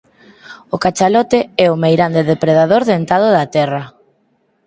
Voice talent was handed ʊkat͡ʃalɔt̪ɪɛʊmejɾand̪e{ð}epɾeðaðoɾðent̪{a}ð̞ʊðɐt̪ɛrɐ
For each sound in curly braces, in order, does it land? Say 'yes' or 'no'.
yes, yes

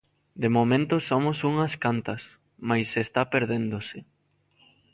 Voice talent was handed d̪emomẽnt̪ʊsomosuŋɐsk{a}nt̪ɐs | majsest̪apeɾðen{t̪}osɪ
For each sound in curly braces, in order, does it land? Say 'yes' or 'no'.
yes, no

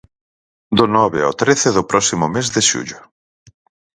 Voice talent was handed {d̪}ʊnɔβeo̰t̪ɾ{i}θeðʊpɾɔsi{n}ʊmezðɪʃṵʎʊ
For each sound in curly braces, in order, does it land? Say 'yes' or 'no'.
yes, no, no

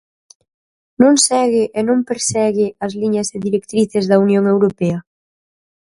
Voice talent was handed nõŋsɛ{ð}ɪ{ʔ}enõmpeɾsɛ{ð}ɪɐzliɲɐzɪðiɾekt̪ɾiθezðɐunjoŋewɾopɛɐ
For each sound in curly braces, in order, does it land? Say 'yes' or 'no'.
no, yes, no

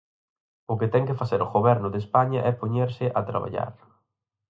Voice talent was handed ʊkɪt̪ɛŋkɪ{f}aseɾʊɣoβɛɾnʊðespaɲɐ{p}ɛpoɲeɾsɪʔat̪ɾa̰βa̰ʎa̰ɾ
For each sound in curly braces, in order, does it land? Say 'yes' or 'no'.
yes, no

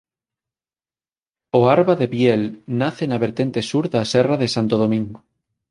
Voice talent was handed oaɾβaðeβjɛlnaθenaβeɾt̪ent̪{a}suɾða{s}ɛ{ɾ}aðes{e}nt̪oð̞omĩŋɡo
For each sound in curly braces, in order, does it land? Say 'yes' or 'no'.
no, yes, no, no

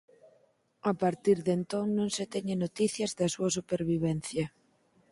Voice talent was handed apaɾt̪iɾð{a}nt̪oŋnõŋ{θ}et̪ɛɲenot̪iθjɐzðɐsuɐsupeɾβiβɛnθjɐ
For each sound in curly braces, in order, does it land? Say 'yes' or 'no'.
no, no

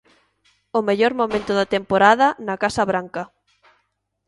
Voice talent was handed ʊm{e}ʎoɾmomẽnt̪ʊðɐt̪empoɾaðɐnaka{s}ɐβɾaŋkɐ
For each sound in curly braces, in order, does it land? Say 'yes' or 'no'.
yes, yes

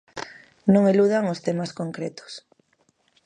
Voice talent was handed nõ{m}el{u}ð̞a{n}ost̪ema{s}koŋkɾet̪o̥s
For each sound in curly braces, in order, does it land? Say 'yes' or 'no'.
no, yes, no, yes

